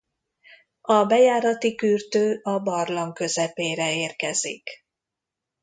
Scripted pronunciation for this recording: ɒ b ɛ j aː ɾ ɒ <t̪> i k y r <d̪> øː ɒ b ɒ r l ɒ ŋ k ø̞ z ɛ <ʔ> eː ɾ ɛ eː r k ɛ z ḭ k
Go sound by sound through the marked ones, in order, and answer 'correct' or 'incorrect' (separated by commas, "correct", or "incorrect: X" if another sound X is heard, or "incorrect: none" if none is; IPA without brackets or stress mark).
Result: correct, incorrect: t̪, incorrect: p